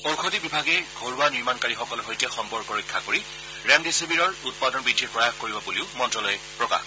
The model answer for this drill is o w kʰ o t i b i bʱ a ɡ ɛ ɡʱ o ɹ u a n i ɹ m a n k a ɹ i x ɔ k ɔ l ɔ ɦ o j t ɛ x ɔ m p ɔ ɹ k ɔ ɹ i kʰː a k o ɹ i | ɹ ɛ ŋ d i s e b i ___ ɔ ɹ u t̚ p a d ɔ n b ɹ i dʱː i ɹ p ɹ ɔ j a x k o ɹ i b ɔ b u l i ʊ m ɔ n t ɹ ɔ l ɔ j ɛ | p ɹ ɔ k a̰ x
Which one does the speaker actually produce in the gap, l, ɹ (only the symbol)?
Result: ɹ